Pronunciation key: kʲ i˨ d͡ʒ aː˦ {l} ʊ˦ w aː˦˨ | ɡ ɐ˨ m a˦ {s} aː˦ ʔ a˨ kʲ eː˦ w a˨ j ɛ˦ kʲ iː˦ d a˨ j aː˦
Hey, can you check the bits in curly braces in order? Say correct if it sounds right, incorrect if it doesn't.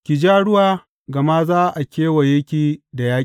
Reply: incorrect: ɽ, incorrect: z

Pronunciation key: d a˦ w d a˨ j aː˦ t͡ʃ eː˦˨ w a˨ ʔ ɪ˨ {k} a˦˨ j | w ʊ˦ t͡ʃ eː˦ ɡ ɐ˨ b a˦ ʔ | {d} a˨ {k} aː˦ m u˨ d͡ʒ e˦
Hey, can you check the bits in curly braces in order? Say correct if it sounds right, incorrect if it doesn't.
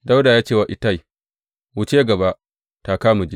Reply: incorrect: t, incorrect: t, correct

